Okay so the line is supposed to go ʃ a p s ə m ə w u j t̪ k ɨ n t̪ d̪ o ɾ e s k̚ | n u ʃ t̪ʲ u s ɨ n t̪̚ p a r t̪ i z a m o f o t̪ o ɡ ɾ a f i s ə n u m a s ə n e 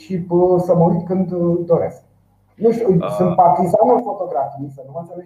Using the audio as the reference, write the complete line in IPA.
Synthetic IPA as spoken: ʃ i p s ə m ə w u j t̪ k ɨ n d̪ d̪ o ɾ e s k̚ | n u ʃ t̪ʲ u s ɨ n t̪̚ p a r t̪ i z a n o f o t̪ o ɡ ɾ a f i s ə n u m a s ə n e